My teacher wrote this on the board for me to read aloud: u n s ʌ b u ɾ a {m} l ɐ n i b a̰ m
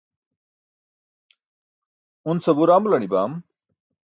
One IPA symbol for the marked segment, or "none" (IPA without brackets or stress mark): m